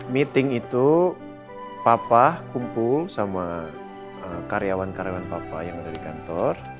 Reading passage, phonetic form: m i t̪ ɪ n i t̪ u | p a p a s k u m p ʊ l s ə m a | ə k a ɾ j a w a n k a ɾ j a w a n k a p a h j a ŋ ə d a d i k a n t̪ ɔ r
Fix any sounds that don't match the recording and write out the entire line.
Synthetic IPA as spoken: m i t̪ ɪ ŋ i t̪ u | p a p a h k u m p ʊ l s a m a | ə k a ɾ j a w a n k a ɾ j a w a n p a p a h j a ŋ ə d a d i k a n t̪ ɔ r